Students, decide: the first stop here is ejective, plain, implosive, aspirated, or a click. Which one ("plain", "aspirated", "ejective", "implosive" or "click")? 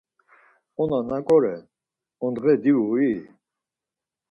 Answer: ejective